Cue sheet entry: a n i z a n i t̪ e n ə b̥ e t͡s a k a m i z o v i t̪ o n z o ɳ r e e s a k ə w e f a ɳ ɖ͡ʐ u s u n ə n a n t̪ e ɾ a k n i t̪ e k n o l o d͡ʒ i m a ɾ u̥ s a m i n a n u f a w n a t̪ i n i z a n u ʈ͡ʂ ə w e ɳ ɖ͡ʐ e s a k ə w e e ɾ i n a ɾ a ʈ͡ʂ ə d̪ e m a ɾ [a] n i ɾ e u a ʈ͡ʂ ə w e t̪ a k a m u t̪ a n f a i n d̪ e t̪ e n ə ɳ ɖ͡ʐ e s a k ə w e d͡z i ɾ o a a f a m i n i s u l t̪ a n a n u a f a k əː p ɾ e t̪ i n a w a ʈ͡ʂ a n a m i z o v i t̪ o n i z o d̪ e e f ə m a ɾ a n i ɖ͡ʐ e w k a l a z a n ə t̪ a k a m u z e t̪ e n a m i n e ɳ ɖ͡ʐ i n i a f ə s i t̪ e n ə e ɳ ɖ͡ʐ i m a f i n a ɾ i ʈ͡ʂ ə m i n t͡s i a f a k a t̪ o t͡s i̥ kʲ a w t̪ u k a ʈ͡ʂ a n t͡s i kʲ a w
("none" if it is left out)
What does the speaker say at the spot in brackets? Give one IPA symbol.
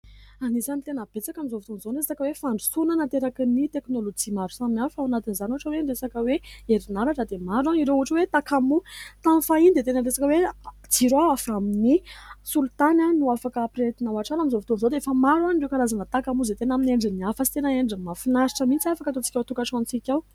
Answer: a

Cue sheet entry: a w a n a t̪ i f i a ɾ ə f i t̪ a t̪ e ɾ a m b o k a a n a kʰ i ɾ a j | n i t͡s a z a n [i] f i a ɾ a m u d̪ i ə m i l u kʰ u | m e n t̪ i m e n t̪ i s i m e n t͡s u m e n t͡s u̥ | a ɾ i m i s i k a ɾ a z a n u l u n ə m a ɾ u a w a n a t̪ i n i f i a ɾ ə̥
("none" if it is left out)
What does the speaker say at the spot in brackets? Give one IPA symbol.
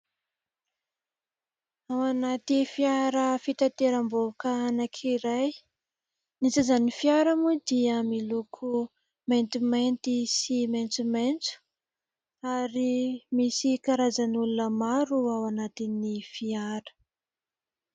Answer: i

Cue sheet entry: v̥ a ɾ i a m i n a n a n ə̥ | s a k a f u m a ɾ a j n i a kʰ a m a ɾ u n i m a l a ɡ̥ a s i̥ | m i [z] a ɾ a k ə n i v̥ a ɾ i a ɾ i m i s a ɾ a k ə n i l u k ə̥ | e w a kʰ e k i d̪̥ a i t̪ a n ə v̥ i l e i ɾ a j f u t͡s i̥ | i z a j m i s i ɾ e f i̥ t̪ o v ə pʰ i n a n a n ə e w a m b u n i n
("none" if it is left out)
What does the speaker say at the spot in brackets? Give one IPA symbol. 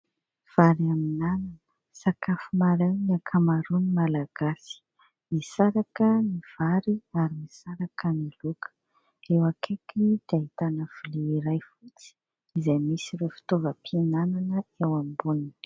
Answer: s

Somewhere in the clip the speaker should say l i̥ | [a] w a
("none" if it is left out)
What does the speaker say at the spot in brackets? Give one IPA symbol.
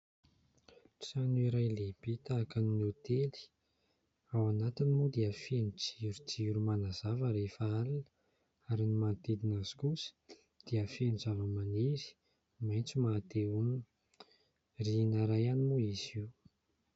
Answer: a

